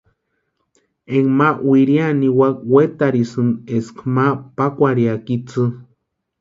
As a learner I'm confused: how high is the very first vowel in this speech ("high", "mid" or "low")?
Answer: mid